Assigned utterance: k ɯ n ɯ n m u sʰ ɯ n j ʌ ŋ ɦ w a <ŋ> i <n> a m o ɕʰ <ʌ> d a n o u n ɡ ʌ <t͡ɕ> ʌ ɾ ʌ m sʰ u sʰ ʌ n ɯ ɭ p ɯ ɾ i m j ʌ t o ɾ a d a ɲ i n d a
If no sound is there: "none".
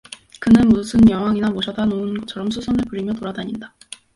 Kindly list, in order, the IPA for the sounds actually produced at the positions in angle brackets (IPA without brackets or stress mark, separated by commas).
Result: ŋ, n, ʌ, t͡ɕʰ